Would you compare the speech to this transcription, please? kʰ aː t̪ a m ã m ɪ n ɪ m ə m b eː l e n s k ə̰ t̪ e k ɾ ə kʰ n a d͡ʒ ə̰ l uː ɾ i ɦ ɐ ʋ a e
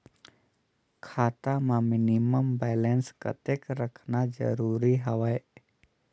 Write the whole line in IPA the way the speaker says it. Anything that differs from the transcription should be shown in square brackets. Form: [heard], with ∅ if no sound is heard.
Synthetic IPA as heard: kʰ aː t̪ a m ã m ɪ n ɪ m ə m b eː l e n s k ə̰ t̪ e k ɾ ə kʰ n a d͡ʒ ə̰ [ɾ] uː ɾ i ɦ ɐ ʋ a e